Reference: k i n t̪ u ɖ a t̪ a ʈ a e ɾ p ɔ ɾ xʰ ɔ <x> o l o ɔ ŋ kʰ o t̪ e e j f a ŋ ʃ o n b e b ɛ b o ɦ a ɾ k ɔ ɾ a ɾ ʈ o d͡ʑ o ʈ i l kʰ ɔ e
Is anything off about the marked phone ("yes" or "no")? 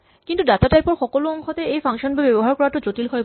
yes